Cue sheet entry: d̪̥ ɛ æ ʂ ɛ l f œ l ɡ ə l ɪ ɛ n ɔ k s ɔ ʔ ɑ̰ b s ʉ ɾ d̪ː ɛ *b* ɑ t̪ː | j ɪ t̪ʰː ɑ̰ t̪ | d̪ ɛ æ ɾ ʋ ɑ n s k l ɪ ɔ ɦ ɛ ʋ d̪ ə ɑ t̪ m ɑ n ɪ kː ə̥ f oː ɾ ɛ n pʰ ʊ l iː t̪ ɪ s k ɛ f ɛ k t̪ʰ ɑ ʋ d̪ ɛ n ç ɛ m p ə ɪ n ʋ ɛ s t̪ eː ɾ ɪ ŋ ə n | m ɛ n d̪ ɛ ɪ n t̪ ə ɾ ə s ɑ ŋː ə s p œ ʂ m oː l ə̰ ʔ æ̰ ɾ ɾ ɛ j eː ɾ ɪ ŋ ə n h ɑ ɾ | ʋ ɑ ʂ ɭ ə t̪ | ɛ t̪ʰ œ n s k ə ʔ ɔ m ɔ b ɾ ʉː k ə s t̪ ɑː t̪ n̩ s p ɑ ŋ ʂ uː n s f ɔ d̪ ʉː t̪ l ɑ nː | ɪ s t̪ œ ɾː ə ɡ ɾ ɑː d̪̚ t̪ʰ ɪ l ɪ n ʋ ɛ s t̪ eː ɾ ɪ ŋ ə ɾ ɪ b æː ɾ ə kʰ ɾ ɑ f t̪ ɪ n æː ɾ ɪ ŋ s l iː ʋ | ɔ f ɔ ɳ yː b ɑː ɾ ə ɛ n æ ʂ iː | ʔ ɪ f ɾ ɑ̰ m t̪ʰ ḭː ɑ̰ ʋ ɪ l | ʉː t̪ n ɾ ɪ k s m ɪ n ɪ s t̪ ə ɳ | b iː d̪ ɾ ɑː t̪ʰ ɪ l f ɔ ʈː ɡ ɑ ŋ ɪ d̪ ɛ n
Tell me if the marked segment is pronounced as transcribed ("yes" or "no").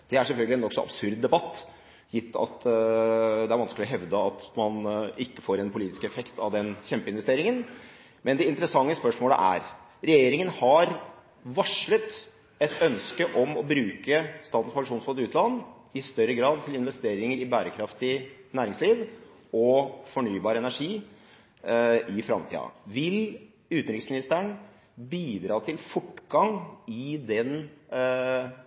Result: yes